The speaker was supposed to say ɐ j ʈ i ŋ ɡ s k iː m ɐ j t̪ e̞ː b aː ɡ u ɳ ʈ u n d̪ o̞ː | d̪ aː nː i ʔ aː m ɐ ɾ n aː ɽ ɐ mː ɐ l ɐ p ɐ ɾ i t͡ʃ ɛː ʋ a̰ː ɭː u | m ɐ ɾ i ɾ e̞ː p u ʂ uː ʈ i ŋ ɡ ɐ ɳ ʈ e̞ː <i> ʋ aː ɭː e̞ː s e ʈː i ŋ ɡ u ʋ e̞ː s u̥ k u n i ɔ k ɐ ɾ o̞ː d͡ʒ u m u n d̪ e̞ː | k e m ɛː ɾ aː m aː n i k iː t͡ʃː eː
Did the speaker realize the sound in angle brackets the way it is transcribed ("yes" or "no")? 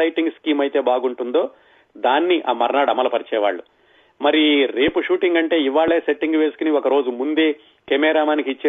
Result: yes